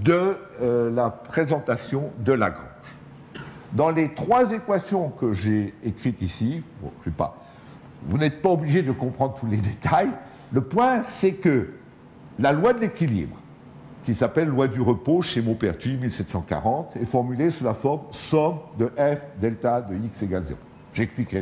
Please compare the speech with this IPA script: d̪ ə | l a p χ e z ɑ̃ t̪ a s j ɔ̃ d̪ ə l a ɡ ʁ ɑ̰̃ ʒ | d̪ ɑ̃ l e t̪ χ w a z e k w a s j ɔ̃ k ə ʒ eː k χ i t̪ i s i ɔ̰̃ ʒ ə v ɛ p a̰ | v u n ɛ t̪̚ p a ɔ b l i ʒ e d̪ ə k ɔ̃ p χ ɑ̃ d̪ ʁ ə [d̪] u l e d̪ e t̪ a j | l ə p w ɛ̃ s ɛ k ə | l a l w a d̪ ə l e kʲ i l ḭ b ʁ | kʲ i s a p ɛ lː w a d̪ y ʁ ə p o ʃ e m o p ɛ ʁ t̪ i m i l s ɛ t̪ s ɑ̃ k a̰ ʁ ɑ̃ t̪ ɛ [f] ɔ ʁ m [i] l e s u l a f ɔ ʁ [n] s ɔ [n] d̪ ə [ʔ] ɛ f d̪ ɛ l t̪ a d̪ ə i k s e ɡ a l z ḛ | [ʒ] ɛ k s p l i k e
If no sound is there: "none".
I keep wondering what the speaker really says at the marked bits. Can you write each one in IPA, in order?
t̪, f, y, m, m, ʔ, ʒ

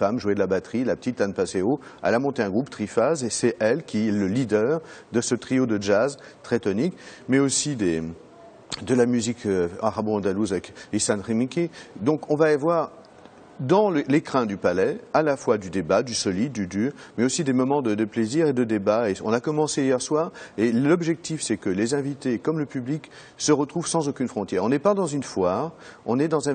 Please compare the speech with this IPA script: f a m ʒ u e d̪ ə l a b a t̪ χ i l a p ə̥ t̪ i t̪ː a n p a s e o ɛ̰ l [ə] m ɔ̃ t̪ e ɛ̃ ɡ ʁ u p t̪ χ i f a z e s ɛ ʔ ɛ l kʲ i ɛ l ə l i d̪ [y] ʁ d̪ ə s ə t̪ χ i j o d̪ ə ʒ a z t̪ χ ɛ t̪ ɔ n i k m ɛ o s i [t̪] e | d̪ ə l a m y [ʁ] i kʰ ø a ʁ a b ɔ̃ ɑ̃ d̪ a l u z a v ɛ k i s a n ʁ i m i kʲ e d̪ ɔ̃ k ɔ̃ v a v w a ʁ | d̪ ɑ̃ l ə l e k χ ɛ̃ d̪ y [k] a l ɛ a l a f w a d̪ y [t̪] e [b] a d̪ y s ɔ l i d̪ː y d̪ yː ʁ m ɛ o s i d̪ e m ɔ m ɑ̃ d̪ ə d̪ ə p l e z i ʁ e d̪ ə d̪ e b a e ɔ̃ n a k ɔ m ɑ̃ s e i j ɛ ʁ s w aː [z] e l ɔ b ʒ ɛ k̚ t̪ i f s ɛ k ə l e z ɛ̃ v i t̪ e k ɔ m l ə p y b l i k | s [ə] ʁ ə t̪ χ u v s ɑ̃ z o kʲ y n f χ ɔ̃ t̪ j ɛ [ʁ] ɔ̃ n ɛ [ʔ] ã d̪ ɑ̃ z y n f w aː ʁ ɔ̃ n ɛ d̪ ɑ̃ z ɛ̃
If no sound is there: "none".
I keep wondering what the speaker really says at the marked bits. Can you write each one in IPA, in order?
a, œ, d̪, z, p, d̪, b, ʁ, ə, ʁ, p

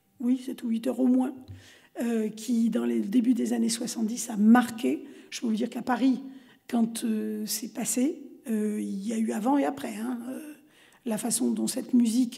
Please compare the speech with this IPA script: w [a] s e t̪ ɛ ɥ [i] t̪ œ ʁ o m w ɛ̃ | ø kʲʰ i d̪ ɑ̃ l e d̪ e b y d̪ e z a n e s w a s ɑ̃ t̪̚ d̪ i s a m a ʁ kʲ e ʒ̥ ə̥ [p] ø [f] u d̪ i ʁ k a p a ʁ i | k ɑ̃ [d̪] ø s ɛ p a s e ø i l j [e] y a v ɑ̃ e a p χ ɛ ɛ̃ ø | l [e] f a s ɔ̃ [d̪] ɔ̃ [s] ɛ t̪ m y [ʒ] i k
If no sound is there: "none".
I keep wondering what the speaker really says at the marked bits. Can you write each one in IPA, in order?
i, i, p, v, t̪, a, a, d̪, s, z

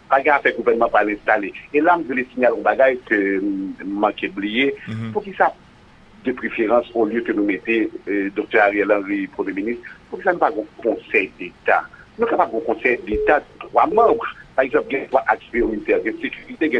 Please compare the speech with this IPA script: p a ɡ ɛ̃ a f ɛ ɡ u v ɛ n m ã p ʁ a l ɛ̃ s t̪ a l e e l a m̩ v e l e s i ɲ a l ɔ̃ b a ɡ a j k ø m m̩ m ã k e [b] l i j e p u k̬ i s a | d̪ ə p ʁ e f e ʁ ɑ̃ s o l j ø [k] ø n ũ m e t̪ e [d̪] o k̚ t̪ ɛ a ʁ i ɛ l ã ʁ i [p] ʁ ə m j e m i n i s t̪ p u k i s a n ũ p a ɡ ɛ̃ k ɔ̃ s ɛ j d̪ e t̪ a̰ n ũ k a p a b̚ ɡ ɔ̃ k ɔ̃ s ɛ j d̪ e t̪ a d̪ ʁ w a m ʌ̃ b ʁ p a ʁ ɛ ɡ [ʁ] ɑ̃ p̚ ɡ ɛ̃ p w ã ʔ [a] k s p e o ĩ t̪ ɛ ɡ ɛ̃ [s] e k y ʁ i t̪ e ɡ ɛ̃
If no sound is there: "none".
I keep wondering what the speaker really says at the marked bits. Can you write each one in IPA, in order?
b, k, d̪, p, z, a, s

